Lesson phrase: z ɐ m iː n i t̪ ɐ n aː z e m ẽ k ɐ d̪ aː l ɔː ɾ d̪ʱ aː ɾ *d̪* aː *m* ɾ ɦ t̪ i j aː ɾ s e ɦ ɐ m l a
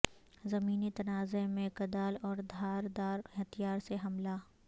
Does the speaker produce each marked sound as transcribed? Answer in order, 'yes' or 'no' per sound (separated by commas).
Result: yes, no